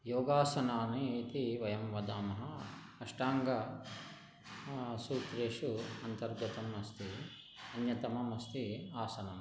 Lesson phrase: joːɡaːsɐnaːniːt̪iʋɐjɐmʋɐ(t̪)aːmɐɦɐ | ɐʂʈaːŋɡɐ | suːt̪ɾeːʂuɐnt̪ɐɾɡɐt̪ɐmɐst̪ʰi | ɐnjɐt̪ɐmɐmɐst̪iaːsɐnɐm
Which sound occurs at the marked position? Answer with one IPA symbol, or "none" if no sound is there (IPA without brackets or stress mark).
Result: d̪